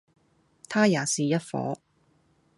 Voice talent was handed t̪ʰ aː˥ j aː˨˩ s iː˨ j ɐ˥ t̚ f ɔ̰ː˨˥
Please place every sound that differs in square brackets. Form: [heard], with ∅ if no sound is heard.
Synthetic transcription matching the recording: t̪ʰ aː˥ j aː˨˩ s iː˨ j ɐ˥ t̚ f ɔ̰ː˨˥